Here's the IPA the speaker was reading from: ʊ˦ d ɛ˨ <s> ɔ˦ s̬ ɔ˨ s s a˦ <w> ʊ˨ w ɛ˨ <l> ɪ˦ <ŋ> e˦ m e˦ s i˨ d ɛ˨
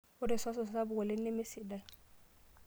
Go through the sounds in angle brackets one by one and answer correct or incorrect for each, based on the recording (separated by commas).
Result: correct, incorrect, correct, incorrect